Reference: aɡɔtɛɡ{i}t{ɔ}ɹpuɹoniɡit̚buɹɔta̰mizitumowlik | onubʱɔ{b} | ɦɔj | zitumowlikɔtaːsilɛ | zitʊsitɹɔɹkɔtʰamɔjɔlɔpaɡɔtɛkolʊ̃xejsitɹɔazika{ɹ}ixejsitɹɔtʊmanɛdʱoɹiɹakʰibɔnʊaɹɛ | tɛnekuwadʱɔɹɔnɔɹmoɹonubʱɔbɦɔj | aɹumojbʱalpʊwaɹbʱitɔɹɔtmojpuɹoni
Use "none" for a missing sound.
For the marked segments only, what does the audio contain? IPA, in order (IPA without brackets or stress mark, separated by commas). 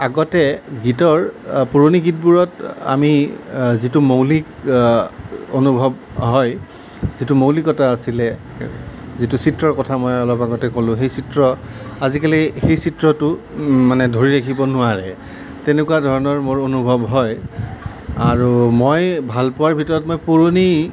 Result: i, ɔ, b, l